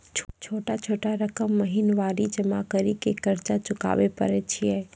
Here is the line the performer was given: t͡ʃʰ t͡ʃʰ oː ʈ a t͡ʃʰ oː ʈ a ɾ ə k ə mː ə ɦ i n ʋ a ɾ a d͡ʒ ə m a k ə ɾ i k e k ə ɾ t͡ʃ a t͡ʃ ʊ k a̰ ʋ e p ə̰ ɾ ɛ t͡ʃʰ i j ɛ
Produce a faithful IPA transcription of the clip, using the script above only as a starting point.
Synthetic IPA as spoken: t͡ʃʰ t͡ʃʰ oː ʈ a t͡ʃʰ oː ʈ a ɾ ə k ə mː ə ɦ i n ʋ a ɾ i d͡ʒ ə m a k ə ɾ i k e k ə ɾ t͡ʃ a t͡ʃ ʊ k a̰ ʋ e p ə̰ ɾ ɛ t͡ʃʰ i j ɛ